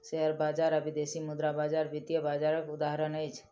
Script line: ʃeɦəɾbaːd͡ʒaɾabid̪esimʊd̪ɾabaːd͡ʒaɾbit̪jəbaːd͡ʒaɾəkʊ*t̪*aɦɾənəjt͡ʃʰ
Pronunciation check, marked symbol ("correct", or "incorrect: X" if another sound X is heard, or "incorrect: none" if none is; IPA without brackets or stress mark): incorrect: d̪